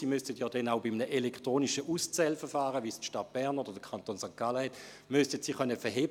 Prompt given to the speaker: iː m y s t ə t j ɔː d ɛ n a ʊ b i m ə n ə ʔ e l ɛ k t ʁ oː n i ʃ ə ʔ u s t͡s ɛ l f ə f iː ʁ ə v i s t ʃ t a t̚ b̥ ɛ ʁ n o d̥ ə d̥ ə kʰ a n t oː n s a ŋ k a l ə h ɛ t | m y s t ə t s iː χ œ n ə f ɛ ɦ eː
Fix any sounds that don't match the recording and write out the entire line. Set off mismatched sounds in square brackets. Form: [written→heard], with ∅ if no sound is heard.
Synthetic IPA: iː m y s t ə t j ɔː d ɛ n a ʊ b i m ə n ə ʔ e l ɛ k t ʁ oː n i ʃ ə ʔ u s t͡s ɛ l f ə f [iː→aː] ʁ ə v i s t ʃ t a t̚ b̥ ɛ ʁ n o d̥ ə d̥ ə kʰ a n t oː n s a ŋ k a l ə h ɛ t | m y s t ə t s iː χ œ n ə f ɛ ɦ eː